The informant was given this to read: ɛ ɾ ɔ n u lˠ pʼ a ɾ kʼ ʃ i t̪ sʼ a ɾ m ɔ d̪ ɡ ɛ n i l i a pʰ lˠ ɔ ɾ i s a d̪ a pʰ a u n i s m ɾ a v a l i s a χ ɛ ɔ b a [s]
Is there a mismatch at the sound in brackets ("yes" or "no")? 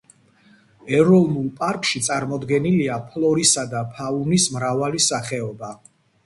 yes